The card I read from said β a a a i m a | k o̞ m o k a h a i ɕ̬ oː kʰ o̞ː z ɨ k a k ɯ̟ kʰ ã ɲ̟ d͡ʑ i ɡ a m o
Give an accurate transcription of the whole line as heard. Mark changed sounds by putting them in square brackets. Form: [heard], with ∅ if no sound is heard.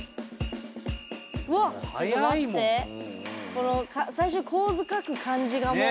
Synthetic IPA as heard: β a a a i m [e] | k o̞ [n] o k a [s] a i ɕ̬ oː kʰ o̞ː z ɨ k a k ɯ̟ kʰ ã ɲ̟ d͡ʑ i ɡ a m o